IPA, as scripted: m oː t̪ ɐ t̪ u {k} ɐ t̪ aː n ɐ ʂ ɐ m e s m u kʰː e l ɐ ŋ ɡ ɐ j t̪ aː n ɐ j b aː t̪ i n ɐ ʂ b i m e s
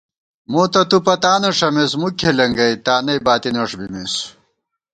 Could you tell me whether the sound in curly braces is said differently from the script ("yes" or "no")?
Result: yes